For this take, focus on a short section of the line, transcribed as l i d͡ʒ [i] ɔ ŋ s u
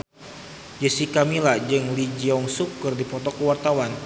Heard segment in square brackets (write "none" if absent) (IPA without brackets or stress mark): i